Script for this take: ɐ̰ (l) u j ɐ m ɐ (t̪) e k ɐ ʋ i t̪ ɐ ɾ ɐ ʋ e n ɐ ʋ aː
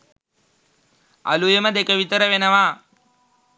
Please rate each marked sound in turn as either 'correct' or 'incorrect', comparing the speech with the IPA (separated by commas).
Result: correct, incorrect